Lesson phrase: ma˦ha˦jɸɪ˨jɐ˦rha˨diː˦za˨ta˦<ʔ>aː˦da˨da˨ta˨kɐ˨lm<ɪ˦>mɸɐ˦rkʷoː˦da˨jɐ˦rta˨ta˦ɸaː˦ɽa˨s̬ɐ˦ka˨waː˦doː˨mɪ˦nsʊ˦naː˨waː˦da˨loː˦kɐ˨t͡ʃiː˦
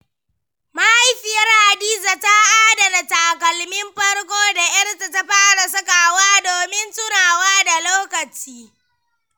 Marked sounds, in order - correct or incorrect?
correct, correct

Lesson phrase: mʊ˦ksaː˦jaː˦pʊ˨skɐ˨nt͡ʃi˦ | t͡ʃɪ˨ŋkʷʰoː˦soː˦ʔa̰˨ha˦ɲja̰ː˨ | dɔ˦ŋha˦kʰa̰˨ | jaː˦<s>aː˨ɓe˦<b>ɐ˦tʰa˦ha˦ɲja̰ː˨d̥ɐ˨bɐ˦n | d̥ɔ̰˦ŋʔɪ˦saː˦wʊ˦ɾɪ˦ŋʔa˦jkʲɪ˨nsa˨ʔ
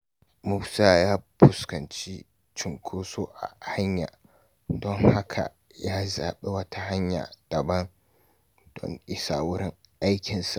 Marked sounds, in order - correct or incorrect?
incorrect: z, incorrect: w

